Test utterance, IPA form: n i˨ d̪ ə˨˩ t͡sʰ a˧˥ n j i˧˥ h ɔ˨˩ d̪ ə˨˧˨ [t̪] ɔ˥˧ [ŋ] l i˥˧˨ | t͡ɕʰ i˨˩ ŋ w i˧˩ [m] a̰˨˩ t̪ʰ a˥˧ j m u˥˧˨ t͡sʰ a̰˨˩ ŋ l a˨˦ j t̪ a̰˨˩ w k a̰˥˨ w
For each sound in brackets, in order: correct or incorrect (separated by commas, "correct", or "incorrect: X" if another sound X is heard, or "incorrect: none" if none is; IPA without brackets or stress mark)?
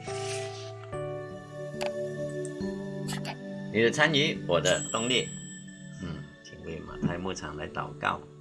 correct, correct, correct